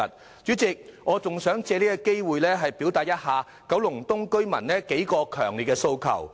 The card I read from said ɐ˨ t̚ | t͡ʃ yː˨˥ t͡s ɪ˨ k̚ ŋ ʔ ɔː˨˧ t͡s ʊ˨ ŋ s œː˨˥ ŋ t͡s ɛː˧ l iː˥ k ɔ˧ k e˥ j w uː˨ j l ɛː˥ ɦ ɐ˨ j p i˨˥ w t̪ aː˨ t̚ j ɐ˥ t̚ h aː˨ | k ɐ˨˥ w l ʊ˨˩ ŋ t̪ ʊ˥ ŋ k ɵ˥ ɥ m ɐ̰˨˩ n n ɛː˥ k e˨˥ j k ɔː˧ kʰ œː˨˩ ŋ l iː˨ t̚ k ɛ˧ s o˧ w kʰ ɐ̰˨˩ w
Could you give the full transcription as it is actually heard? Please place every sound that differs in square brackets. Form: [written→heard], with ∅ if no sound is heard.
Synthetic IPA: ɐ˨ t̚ | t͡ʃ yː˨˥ t͡s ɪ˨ k̚ ŋ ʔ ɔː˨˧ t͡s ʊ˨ ŋ s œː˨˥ ŋ t͡s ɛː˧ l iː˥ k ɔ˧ k e˥ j w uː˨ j l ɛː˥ ɦ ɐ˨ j p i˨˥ w t̪ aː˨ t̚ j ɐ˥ t̚ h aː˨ | k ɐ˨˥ w l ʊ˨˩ ŋ t̪ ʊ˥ ŋ k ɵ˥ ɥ m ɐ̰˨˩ n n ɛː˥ k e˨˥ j k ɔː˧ kʰ œː˨˩ ŋ l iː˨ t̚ k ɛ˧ s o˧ w kʰ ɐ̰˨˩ w